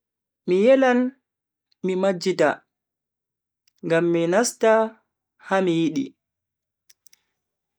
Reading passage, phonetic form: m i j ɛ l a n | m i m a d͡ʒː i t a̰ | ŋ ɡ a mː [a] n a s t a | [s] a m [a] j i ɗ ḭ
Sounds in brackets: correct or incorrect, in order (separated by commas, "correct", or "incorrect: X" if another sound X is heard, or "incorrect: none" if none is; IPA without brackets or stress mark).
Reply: incorrect: i, incorrect: h, incorrect: i